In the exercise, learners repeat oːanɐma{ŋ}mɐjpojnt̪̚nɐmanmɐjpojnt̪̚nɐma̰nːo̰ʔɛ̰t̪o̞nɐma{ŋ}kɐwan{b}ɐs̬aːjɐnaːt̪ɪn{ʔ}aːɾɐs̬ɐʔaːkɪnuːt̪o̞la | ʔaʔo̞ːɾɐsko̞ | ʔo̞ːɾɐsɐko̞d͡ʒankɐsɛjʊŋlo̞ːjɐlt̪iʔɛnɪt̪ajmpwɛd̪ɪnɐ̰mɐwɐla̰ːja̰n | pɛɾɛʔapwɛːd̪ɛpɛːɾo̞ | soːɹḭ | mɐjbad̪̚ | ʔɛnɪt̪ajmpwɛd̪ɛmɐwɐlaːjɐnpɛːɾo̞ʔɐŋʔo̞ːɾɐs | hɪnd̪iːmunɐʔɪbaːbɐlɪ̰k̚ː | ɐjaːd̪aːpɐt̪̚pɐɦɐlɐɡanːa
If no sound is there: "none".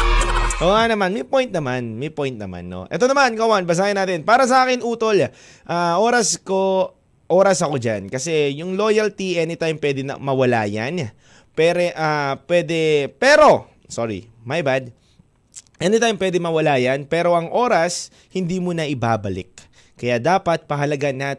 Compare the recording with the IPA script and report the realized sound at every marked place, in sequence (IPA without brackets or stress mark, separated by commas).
n, n, b, p